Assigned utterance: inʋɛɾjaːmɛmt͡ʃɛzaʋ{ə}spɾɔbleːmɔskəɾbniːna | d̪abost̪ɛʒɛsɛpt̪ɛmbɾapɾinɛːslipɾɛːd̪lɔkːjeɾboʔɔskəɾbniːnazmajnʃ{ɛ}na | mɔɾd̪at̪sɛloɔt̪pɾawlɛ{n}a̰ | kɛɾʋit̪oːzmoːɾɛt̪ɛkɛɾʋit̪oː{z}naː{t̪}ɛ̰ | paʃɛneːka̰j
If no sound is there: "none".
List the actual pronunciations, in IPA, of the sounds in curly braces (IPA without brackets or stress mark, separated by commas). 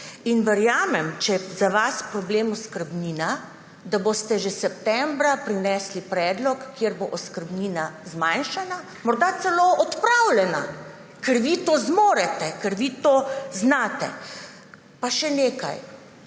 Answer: a, a, n, z, t̪